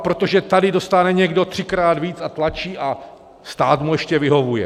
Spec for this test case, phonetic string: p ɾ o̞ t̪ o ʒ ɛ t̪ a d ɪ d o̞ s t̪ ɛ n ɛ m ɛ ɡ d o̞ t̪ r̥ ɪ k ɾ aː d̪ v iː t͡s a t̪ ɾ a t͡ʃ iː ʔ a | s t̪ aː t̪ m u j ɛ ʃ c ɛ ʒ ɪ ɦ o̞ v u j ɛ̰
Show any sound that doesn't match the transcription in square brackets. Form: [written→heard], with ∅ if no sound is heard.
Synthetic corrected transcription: p ɾ o̞ t̪ o ʒ ɛ t̪ a d ɪ d o̞ s t̪ [ɛ→a] n ɛ [m→ɲ] ɛ ɡ d o̞ t̪ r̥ ɪ k ɾ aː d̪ v iː t͡s a t̪ [ɾ→l] a t͡ʃ iː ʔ a | s t̪ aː t̪ m u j ɛ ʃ c ɛ [ʒ→v] ɪ ɦ o̞ v u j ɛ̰